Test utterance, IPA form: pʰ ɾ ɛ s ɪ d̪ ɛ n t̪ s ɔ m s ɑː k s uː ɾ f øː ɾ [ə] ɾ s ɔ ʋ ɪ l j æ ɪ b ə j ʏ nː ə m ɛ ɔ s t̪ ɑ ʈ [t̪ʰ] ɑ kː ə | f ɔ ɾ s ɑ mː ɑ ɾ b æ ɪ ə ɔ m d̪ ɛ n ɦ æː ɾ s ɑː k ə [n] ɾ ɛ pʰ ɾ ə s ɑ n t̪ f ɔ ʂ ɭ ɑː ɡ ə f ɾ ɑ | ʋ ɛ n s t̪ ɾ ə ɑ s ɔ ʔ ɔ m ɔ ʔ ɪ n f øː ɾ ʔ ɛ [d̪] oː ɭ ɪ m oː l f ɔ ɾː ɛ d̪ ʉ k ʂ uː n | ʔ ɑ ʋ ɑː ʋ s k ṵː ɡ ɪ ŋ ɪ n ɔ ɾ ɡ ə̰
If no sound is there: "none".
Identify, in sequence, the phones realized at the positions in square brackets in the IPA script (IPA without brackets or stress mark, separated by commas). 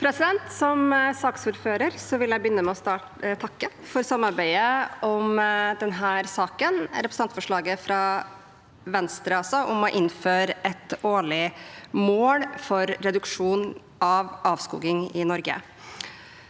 ə, t̪ʰ, n, t̪